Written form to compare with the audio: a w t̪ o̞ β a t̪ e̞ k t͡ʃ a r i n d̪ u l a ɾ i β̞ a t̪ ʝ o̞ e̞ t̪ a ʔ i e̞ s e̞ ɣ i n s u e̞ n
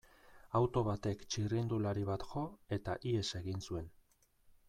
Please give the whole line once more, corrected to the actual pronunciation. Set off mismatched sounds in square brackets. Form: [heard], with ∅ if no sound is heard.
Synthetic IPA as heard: a w t̪ o̞ β a t̪ e̞ k t͡ʃ [i] r i n d̪ u l a ɾ i β̞ a t̪ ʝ o̞ e̞ t̪ a ʔ i e̞ s e̞ ɣ i n s u e̞ n